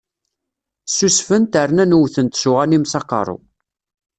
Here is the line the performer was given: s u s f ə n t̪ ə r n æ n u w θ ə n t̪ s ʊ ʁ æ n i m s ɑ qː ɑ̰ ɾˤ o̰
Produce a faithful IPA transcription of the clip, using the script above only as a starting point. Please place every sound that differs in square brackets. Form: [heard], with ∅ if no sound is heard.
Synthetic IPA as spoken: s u s f ə n t̪ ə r n æ n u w θ ə n t̪ s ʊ ʁ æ n i m s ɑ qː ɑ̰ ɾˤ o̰